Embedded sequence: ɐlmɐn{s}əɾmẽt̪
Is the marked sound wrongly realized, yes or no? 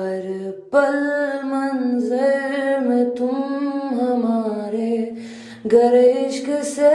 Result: yes